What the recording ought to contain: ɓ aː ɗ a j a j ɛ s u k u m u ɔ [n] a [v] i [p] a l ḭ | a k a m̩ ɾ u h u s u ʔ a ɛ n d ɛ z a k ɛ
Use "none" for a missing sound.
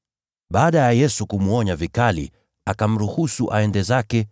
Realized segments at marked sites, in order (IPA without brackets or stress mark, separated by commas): ɲ, v, k